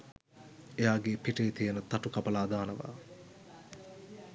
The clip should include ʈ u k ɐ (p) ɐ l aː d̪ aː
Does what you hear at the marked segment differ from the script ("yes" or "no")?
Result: no